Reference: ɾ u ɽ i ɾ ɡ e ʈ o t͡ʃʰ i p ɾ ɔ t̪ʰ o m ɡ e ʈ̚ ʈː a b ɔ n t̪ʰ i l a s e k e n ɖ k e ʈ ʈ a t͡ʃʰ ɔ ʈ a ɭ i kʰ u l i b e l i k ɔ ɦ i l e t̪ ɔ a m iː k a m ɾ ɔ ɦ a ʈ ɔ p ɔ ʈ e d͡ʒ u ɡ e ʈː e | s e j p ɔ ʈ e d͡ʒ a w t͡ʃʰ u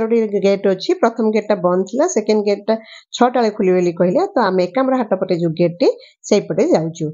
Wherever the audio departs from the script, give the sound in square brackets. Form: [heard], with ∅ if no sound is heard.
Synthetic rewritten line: ɾ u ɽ i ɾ ɡ e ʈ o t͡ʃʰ i p ɾ ɔ t̪ʰ [ɔ] m ɡ e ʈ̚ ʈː a b ɔ n t̪ʰ i l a s e k e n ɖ [ɡ] e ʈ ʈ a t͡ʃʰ ɔ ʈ a ɭ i kʰ u l i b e l i k ɔ ɦ i l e t̪ ɔ a m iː k a m ɾ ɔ ɦ a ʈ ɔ p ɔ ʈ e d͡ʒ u ɡ e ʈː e | s e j p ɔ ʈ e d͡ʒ a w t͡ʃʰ u